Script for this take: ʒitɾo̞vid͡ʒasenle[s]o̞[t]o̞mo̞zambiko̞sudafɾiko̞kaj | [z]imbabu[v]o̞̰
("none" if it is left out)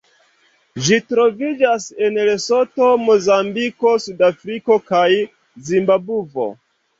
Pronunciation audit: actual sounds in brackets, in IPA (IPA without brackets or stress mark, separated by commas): s, t, z, v